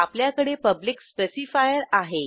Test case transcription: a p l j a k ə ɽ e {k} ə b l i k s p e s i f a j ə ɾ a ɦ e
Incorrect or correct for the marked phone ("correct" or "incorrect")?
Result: incorrect